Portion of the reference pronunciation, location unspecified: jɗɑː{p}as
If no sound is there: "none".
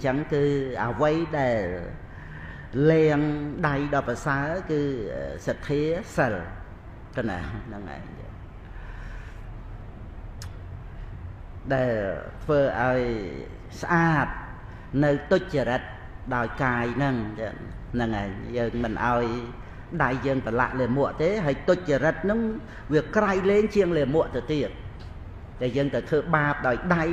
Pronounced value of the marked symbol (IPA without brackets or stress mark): p